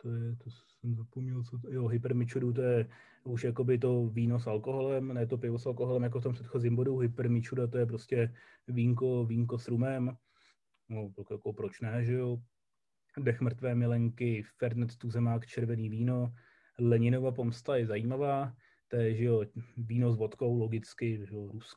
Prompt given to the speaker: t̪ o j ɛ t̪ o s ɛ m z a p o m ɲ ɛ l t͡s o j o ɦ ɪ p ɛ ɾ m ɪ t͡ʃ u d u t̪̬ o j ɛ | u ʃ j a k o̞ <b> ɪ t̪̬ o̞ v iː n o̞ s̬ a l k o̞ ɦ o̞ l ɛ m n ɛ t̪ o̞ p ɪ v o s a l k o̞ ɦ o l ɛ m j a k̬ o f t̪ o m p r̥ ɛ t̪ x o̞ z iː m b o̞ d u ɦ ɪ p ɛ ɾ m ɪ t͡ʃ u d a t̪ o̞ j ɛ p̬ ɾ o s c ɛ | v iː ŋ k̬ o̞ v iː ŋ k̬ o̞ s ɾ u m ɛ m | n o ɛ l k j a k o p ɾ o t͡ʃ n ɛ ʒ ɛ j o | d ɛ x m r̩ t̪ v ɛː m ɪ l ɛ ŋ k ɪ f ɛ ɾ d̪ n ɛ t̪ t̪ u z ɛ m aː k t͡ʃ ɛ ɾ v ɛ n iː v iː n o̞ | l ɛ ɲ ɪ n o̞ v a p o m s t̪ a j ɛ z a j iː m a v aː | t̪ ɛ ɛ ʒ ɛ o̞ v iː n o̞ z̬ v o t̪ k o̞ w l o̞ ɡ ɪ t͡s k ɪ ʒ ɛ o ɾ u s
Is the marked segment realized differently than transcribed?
no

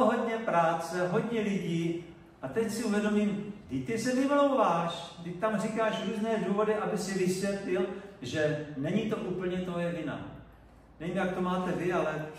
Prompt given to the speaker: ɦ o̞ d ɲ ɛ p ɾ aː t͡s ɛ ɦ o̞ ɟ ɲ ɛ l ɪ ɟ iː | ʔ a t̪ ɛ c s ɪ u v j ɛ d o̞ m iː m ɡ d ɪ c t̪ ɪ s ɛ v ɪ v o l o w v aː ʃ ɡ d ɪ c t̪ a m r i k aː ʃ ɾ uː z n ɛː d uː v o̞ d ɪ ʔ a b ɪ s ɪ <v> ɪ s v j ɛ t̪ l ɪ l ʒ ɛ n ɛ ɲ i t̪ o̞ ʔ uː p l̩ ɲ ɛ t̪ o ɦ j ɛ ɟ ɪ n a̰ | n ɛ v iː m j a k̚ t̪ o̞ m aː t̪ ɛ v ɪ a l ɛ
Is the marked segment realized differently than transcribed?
no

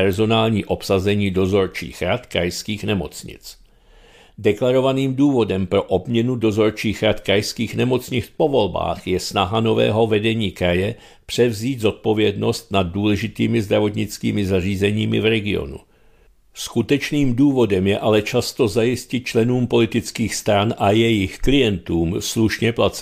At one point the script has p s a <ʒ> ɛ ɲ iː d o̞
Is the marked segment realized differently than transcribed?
yes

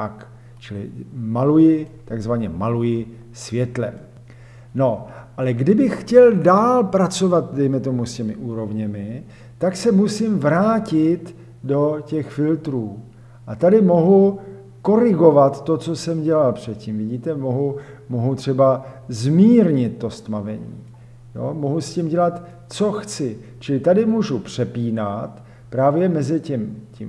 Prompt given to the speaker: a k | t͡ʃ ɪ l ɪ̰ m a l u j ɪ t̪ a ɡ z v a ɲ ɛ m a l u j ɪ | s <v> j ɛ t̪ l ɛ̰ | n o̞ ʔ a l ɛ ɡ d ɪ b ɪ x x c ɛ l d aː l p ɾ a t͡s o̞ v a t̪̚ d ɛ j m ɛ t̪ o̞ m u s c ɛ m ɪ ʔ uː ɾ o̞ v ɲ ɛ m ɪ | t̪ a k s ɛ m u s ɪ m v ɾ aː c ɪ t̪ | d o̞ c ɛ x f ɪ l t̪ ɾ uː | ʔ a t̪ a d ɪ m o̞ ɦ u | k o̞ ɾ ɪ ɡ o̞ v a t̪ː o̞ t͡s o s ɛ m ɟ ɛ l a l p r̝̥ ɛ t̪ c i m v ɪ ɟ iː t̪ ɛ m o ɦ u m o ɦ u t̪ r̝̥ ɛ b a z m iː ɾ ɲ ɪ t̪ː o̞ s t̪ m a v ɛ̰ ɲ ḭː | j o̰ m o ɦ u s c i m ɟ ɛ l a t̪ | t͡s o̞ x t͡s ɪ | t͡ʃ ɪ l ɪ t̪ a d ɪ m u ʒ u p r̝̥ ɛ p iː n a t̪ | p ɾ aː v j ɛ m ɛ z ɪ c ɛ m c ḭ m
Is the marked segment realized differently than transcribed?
no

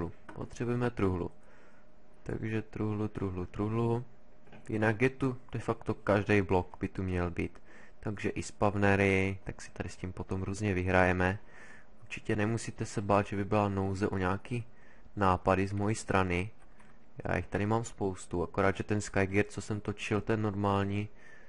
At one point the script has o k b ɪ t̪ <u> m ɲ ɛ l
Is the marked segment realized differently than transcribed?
no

